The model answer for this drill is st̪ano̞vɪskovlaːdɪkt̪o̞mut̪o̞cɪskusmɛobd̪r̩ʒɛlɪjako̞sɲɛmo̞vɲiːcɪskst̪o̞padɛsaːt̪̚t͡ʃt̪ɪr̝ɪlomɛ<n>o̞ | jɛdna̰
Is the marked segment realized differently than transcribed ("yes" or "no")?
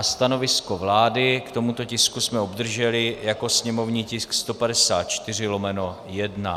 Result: no